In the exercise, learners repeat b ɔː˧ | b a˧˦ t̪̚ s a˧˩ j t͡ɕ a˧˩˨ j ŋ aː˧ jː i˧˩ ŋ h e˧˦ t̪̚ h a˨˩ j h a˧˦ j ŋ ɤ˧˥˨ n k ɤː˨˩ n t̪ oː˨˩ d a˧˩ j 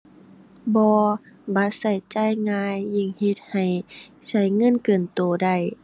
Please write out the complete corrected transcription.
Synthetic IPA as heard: b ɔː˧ | b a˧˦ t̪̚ s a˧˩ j t͡ɕ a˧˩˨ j ŋ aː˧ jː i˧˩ ŋ h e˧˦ t̪̚ h a˨˩ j s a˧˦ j ŋ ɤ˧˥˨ n k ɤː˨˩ n t̪ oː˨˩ d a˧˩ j